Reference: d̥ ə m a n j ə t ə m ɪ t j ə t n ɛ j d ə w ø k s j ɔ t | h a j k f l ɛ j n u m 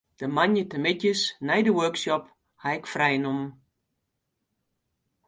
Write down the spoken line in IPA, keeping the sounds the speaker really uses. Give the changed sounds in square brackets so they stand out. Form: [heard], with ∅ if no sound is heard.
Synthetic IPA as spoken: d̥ ə m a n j ə t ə m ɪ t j ə [s] n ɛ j d ə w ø k s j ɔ [p] | h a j k f [r] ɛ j n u m